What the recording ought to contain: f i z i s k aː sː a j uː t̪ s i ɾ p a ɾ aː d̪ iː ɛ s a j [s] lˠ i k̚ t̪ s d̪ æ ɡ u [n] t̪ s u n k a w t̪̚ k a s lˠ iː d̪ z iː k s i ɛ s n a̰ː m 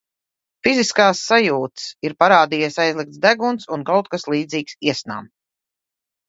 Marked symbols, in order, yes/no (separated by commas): no, yes